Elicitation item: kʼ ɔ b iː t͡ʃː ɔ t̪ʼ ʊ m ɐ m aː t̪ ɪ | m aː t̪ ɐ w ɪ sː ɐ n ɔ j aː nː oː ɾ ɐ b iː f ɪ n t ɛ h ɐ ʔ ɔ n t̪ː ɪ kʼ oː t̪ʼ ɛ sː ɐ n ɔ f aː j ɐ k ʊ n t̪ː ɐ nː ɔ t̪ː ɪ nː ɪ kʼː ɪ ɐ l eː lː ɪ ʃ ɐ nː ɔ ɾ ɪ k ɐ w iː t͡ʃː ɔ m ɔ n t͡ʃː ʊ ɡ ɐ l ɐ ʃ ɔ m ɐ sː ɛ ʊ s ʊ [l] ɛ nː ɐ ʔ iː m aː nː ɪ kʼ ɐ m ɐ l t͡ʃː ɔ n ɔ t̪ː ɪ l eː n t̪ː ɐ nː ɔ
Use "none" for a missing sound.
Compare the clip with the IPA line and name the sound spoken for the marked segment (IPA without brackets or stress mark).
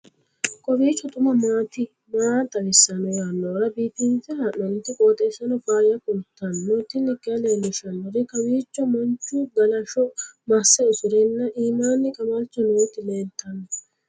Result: ɾ